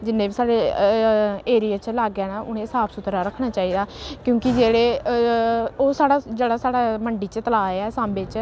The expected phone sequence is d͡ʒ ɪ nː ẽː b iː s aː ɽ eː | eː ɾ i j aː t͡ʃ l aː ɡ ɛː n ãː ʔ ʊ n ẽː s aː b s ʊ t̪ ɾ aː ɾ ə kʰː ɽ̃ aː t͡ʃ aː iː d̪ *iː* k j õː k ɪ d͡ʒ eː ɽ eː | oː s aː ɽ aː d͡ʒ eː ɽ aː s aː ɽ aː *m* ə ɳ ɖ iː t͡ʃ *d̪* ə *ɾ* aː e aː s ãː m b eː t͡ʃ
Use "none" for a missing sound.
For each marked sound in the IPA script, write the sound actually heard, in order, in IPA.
aː, m, t̪, l

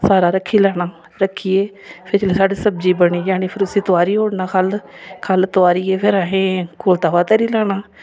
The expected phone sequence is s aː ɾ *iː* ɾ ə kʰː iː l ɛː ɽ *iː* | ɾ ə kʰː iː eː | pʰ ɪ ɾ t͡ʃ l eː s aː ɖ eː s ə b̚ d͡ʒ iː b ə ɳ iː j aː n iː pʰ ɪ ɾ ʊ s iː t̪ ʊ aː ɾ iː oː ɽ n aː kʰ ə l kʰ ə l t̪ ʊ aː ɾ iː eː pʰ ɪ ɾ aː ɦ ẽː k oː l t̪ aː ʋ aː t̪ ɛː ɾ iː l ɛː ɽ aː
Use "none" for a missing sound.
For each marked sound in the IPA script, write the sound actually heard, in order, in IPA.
aː, aː

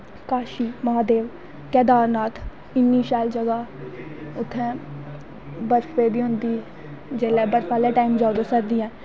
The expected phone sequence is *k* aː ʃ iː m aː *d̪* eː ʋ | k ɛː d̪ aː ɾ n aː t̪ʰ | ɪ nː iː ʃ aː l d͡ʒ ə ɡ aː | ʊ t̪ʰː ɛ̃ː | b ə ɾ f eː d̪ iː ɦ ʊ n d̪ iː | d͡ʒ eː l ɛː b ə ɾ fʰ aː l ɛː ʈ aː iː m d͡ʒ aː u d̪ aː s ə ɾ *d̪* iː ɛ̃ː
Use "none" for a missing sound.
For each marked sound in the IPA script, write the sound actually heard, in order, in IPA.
k, d̪, d̪

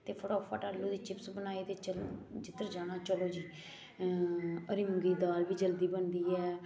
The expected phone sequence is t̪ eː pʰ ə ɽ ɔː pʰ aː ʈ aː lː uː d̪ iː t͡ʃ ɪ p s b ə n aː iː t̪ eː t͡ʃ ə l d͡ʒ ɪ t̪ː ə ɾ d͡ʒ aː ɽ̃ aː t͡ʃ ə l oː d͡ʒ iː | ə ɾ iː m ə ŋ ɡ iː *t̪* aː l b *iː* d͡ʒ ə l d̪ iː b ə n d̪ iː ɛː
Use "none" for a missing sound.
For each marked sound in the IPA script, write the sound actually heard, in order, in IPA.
d̪, iː

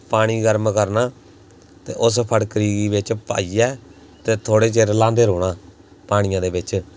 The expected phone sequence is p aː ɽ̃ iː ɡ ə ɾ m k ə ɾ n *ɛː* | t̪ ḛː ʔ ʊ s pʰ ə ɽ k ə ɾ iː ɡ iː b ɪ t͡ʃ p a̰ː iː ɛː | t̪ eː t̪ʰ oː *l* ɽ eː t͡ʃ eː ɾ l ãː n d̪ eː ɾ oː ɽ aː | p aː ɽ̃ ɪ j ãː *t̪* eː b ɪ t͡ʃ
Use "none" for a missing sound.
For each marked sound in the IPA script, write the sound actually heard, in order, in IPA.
aː, none, d̪

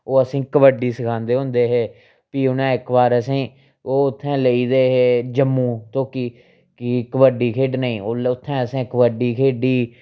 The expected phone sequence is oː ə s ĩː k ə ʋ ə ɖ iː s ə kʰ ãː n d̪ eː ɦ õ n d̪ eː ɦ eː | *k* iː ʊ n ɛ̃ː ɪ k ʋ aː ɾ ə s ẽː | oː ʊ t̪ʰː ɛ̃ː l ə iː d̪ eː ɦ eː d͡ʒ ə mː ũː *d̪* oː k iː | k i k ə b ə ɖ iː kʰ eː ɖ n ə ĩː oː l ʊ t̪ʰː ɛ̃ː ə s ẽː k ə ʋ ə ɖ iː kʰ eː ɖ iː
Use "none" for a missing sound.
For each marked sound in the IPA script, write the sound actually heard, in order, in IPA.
p, t̪

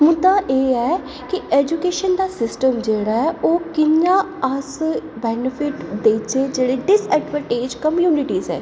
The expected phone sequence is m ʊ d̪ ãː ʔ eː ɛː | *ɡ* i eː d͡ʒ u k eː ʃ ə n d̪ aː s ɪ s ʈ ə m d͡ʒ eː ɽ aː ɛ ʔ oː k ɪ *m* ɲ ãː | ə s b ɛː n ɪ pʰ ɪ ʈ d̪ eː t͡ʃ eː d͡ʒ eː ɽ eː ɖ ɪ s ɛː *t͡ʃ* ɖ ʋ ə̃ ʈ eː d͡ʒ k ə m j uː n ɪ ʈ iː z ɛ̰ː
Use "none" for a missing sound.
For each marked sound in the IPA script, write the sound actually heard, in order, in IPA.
k, none, none

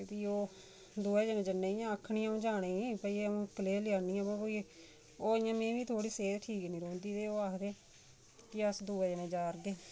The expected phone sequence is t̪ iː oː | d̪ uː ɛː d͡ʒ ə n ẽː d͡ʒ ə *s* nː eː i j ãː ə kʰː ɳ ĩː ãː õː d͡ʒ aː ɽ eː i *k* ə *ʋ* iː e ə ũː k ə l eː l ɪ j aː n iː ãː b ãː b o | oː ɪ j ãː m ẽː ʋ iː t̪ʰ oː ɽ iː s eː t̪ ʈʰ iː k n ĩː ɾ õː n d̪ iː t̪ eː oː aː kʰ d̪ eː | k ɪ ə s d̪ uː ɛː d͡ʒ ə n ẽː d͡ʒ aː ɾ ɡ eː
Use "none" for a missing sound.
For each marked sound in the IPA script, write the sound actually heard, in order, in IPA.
none, p, none

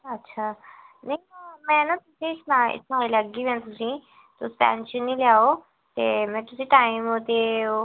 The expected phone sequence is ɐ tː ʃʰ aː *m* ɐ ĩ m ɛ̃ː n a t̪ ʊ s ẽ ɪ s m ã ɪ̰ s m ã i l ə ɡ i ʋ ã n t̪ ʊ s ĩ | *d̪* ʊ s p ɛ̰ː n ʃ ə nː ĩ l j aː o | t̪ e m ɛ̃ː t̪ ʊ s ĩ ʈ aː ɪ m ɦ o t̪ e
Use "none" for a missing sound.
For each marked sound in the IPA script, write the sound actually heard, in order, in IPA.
n, t̪

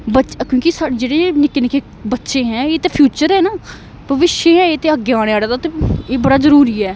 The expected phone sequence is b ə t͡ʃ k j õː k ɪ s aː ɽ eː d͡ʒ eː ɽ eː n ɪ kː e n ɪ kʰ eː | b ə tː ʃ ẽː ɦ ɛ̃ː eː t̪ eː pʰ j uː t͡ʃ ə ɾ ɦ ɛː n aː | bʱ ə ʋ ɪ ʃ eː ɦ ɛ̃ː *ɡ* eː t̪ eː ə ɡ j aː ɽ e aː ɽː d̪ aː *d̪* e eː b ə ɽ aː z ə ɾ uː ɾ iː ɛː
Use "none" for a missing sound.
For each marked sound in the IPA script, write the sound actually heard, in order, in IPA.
none, t̪

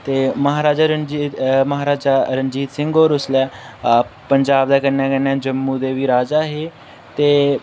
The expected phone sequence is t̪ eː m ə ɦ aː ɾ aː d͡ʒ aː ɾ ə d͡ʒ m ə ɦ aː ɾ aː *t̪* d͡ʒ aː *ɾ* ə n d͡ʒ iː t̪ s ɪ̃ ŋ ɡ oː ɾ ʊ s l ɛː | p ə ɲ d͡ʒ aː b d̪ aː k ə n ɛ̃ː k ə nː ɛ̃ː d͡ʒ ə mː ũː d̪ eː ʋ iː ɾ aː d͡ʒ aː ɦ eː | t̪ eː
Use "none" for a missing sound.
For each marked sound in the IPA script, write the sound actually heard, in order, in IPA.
none, ɾ

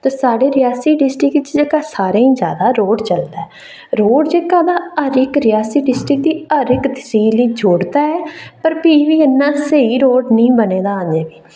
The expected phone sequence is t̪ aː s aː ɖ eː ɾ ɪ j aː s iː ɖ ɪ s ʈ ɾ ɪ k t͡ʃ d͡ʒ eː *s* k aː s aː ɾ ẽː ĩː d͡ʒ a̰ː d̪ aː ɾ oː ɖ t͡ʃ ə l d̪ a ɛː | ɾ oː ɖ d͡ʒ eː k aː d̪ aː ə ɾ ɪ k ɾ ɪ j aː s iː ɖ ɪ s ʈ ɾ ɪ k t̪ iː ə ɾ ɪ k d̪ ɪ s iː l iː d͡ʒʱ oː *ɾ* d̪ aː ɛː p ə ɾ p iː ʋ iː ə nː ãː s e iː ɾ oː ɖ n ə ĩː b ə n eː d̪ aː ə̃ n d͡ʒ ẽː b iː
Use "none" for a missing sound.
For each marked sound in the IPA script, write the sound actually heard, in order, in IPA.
none, ɽ

